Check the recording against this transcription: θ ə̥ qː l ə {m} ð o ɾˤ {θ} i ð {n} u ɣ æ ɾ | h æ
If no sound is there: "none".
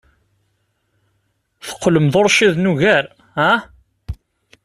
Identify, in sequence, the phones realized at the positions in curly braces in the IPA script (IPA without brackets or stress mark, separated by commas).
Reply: m, ʃ, n